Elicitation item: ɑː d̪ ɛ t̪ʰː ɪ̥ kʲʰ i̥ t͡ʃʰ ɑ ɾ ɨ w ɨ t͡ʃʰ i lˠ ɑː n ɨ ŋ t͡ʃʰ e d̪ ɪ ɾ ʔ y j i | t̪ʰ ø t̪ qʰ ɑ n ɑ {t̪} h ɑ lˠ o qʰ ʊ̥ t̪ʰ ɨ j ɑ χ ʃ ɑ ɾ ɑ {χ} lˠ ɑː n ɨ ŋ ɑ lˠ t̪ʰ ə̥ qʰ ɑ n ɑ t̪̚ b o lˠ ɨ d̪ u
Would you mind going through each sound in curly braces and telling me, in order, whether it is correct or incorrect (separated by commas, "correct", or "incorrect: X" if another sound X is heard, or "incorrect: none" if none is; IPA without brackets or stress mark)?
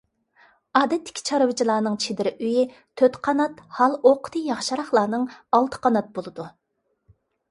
correct, correct